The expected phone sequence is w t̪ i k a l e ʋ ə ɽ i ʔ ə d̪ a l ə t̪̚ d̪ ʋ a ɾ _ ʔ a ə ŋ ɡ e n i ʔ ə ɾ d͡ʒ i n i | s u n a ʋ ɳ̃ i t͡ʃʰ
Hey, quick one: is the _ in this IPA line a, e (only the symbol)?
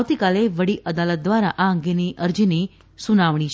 a